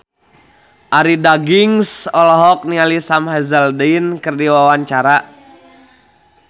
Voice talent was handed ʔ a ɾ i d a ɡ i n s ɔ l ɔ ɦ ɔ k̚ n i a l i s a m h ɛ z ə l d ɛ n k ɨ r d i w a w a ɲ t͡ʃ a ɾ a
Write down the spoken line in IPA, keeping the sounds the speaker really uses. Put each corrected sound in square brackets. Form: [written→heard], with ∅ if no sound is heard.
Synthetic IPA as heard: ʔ a ɾ i d a ɡ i [n→ŋ] s ɔ l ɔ ɦ ɔ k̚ n i a l i s a m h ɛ z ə l d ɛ n k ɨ r d i w a w a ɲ t͡ʃ a ɾ a